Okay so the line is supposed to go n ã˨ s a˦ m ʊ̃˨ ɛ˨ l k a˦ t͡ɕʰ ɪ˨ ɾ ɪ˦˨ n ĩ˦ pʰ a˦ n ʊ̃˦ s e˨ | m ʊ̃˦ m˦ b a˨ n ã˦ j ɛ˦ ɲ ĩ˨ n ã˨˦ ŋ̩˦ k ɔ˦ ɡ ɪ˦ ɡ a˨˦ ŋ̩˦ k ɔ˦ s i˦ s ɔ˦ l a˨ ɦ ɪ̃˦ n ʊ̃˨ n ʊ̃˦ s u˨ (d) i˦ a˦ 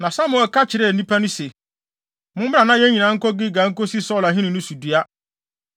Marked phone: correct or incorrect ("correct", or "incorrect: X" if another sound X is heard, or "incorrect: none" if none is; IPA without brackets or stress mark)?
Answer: correct